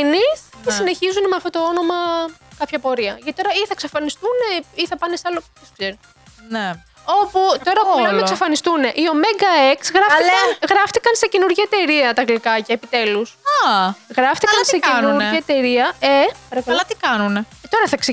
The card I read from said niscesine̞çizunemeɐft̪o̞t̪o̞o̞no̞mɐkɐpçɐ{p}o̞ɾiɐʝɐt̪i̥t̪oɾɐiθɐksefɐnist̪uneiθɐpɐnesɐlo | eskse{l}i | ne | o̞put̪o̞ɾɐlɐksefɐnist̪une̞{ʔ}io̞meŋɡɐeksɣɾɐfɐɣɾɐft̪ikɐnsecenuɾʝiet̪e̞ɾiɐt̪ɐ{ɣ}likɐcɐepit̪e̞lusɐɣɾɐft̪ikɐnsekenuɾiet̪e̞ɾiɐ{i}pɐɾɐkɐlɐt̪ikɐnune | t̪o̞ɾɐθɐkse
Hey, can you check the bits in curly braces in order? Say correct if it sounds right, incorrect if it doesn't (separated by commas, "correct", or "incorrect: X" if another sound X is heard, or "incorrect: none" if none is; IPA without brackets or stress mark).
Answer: correct, incorrect: ɾ, correct, correct, incorrect: e